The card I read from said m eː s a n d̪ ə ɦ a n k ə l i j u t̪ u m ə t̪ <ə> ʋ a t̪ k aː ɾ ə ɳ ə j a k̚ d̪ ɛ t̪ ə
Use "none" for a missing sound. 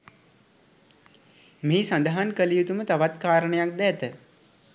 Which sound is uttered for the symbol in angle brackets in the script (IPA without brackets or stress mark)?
a